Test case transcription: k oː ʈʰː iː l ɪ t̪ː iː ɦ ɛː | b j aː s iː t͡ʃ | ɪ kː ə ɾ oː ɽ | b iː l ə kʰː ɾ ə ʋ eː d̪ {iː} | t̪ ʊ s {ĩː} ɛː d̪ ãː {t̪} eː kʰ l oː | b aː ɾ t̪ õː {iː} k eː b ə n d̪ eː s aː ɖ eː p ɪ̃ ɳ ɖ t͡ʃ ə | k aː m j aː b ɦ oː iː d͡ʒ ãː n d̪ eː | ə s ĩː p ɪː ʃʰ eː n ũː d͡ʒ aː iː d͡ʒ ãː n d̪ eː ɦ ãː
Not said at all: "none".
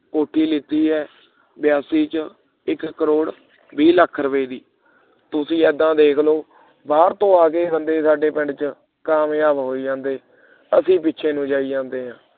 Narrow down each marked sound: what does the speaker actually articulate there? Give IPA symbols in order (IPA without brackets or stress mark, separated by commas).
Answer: iː, ĩː, d̪, aː